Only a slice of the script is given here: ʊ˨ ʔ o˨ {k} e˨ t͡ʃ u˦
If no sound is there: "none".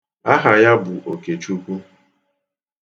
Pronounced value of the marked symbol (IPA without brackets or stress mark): k